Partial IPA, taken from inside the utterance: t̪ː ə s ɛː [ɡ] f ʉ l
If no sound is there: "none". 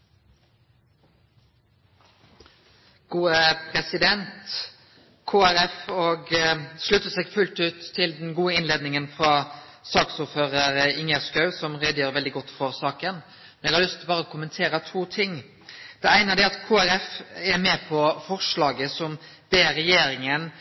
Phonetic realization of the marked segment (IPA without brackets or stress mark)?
ɡ